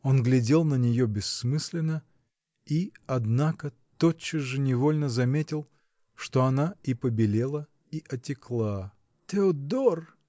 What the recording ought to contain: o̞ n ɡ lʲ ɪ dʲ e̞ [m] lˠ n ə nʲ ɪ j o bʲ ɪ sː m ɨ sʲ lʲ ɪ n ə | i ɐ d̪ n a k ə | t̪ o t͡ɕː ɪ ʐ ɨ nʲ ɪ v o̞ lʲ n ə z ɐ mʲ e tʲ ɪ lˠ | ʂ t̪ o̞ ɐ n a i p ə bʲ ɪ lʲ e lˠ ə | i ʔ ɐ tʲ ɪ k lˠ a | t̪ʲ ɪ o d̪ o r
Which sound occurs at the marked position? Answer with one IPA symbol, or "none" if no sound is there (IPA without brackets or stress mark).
none